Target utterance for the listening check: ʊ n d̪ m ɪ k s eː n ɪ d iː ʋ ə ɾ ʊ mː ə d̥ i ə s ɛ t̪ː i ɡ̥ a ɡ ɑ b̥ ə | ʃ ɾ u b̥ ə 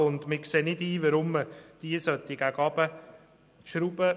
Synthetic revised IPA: ʊ n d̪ m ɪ k s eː n ɪ d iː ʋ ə ɾ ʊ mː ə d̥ i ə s œ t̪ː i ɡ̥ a ɡ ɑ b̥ ə | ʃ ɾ u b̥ ə